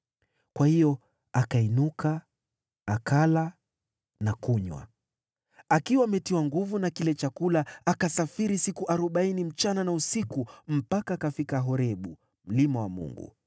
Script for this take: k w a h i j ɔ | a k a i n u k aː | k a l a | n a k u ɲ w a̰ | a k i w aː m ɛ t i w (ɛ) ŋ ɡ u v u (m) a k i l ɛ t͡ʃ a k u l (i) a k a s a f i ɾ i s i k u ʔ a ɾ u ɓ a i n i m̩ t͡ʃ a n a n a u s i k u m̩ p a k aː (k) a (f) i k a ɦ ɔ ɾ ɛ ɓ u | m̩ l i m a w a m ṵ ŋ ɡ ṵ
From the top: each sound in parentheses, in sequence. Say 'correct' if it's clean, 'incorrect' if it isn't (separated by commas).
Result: incorrect, incorrect, incorrect, correct, correct